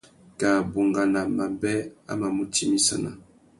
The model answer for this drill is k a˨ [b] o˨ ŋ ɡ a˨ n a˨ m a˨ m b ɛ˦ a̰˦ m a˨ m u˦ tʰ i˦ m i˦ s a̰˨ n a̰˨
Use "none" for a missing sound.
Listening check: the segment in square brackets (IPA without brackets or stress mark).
b